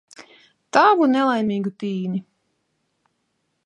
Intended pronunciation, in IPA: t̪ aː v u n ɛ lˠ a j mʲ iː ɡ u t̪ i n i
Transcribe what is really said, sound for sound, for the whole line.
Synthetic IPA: t̪ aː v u n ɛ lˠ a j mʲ iː ɡ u t̪ iː n i